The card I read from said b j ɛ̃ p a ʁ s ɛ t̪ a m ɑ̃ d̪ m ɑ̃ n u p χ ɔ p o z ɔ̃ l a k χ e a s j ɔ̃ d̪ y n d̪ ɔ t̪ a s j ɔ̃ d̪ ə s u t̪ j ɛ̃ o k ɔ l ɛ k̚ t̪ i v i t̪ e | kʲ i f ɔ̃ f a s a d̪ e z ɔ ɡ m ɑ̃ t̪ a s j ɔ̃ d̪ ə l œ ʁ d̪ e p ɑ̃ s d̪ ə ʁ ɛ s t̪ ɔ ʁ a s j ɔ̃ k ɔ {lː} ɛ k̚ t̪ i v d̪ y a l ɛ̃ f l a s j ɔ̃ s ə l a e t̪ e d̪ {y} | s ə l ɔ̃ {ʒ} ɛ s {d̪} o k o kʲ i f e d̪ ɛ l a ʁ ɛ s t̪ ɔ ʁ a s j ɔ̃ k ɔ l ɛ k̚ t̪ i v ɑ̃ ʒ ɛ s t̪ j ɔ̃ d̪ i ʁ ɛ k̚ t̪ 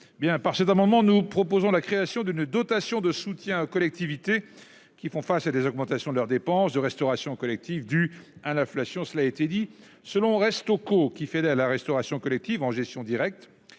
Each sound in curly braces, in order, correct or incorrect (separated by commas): incorrect, incorrect, incorrect, incorrect